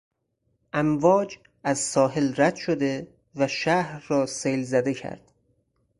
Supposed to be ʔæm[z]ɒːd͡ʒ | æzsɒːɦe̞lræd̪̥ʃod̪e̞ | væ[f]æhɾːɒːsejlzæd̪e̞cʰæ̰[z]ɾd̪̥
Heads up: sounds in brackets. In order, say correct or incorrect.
incorrect: v, incorrect: ʃ, incorrect: none

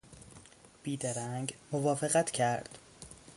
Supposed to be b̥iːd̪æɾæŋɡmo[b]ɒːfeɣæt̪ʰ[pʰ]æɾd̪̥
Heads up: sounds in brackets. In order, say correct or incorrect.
incorrect: v, incorrect: cʰ

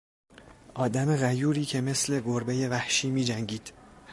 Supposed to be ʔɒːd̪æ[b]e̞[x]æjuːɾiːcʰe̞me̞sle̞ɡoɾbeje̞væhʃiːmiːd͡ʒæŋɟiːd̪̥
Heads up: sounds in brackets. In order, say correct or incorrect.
incorrect: m, incorrect: ɣ

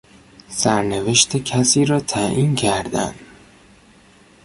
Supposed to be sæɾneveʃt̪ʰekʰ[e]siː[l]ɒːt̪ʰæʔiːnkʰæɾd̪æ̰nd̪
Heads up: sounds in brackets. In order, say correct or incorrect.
incorrect: æ, incorrect: ɾ

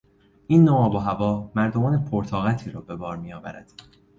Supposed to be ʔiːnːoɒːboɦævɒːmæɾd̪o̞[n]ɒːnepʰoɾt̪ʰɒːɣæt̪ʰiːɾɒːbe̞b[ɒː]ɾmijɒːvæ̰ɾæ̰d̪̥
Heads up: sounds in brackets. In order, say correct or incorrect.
incorrect: m, correct

